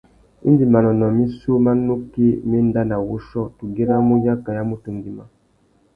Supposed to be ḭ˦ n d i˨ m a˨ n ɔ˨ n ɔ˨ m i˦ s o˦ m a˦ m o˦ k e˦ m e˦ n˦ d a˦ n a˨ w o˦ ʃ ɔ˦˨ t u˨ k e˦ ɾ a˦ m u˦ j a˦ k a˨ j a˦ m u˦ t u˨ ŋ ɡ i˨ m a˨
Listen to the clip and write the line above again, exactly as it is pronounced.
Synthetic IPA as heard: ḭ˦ n d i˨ m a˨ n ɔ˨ n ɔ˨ m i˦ s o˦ m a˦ n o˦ k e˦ m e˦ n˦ d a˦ n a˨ w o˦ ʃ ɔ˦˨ t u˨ ɡ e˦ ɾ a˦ m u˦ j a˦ k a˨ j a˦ m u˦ t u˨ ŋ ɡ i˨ m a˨